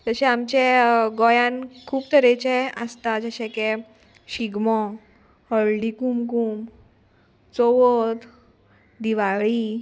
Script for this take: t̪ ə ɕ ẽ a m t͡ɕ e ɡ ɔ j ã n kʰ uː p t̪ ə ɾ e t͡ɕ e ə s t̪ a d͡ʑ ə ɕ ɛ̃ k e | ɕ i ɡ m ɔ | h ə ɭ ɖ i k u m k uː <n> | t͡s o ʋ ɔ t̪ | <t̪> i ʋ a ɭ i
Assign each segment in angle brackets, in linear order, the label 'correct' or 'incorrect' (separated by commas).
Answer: incorrect, incorrect